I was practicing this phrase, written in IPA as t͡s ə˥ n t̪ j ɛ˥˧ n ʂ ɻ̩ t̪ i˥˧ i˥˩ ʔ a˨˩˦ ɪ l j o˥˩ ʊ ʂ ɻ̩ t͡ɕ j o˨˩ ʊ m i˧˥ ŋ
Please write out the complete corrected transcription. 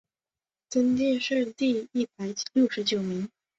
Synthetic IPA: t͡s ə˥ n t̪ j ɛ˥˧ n ʂ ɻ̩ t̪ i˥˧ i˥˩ p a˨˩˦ ɪ l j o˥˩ ʊ ʂ ɻ̩ t͡ɕ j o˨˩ ʊ m i˧˥ ŋ